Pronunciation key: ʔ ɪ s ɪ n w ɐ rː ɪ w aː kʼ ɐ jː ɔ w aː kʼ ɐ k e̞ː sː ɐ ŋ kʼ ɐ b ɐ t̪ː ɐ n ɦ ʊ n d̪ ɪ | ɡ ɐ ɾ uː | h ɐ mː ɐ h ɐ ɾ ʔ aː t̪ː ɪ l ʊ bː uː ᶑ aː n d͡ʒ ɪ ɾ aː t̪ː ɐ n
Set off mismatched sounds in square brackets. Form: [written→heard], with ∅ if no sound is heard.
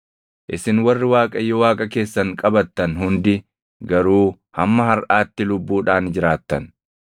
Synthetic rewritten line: ʔ ɪ s ɪ n w ɐ rː ɪ w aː kʼ ɐ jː ɔ w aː kʼ ɐ k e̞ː sː ɐ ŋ kʼ ɐ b ɐ t̪ː ɐ n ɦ ʊ n d̪ ɪ | ɡ ɐ ɾ uː | h ɐ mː ɐ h ɐ ɾ ʔ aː t̪ː ɪ l ʊ bː uː ᶑ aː n d͡ʒ ɪ ɾ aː t̪ː ɐ n